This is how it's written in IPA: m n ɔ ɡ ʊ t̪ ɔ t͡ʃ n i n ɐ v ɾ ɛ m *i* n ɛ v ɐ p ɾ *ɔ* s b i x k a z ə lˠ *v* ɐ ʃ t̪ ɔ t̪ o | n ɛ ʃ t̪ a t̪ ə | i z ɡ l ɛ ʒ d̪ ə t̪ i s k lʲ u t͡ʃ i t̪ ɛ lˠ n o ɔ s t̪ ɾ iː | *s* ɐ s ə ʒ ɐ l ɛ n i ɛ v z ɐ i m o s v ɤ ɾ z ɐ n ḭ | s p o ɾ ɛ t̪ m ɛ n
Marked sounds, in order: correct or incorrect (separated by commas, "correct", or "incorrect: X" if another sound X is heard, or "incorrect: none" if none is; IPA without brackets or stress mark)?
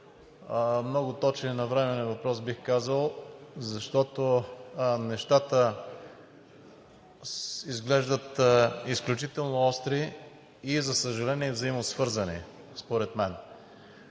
incorrect: ɛ, correct, incorrect: z, incorrect: z